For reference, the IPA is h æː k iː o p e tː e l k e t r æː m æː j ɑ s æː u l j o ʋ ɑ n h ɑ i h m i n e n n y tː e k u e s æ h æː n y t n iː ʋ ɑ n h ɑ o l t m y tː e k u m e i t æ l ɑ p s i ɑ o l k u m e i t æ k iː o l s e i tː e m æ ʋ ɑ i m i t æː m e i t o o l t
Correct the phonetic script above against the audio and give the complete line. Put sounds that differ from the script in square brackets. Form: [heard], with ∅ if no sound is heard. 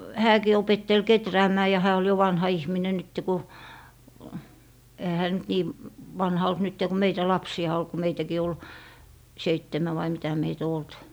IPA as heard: h æː k iː o p e tː e l k e t r æː m æː j ɑ [h] æː [o] l j o ʋ ɑ n h ɑ i h m i n e n n y tː e k u e [h] æ h æː n y t n iː ʋ ɑ n h ɑ o l t [n] y tː e k u m e i t æ l ɑ p s i ɑ o l k u m e i t æ k iː o l s e i tː e m æ ʋ ɑ i m i t [æ] m e i t o o l t

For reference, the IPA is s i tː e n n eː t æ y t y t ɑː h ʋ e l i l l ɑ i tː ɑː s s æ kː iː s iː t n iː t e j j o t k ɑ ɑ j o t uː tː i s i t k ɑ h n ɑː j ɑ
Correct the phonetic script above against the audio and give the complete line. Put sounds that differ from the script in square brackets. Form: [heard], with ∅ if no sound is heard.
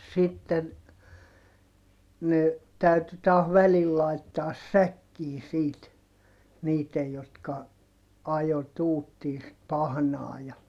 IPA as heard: s i tː e n n [e] t æ y t y t ɑː h ʋ [æ] l i l l ɑ i tː ɑː s s æ kː iː s iː t n iː t e j j o t k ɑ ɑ j o t uː tː [iː] s i t [p] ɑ h n ɑː j ɑ

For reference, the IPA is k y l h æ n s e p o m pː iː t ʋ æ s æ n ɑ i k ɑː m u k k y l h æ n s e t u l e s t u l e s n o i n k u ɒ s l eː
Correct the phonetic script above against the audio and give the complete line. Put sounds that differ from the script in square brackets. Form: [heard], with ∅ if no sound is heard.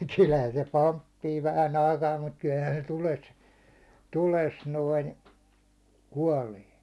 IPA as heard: k y l h æ n s e p o m pː iː [∅] ʋ æ [h] æ n ɑ i k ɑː m u [t] k y l h æ n s e t u l e s t u l e s n o i n k u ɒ [∅] l eː

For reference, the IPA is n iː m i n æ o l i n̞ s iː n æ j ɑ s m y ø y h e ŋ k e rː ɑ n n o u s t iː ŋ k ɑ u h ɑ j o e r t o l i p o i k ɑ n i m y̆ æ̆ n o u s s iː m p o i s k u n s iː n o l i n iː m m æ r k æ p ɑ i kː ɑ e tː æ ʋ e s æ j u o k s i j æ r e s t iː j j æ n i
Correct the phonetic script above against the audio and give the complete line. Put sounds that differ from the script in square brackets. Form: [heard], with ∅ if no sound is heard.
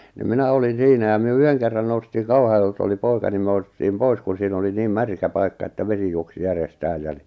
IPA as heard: n [i] m i n æ o l i n̞ s iː n æ j ɑ [∅] m y ø y h e ŋ k e rː ɑ n n o u s t iː ŋ k ɑ u h ɑ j o e [l] t o l i p o i k ɑ n i m y̆ æ̆ n o u s [t] iː m p o i s k u n s iː n o l i n iː m m æ r k æ p ɑ i kː ɑ e tː æ ʋ e s [i] j u o k s i j æ r e s t [æː] j j æ n i

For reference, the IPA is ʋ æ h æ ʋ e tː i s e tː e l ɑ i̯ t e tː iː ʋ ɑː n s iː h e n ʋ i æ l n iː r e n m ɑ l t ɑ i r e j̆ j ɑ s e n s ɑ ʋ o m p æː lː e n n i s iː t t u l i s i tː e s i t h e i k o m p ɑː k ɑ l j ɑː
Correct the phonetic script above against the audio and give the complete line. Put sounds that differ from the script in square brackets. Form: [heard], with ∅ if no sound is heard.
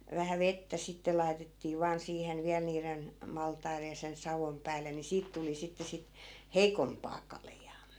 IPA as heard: ʋ æ h æ ʋ e tː [æ] s [i] tː e l ɑ i̯ t e tː iː ʋ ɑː n s iː h e n ʋ i æ l n iː r e n m ɑ l t ɑ i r e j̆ j ɑ s e n s ɑ ʋ o m p æː lː e n n i s iː t t u l i s i tː e s i t h e i k o m p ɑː k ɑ l j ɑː

